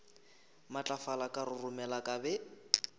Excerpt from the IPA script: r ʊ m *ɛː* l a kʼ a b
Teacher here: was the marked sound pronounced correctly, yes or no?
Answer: no